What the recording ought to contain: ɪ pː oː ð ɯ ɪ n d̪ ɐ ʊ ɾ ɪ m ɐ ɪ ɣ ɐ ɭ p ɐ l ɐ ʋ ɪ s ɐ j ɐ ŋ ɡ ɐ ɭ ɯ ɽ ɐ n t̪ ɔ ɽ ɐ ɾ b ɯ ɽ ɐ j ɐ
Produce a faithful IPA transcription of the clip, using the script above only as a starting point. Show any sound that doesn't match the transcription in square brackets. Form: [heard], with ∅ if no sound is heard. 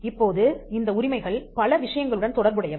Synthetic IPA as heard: ɪ pː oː ð ɯ ɪ n d̪ ɐ ʊ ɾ ɪ m ɐ ɪ ɣ ɐ ɭ p ɐ l ɐ ʋ ɪ [ʂ] ɐ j ɐ ŋ ɡ ɐ ɭ ɯ ɽ ɐ n t̪ ɔ ɽ ɐ ɾ b ɯ ɽ ɐ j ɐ